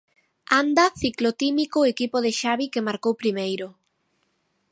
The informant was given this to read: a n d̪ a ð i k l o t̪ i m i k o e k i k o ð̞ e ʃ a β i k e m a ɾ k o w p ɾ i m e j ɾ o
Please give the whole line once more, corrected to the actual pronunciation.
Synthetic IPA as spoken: a n d̪ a θ i k l o t̪ i m i k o e k i p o ð̞ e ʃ a β i k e m a ɾ k o w p ɾ i m e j ɾ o